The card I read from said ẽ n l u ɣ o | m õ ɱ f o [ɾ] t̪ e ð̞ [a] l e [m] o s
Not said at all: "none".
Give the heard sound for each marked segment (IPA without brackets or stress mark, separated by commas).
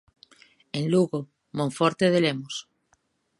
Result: ɾ, e, m